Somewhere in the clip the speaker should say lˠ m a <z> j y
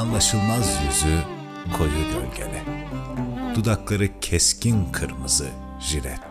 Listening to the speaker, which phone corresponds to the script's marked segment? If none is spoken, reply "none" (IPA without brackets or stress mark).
z